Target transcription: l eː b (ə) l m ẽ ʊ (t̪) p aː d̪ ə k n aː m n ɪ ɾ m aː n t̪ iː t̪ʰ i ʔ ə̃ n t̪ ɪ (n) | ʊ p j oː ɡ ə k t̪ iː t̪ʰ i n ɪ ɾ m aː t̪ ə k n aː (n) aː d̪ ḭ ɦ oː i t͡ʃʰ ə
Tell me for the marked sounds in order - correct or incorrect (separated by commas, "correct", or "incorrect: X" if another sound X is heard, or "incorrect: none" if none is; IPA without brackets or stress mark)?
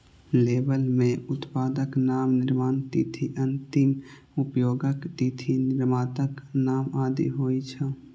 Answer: correct, correct, incorrect: m, incorrect: m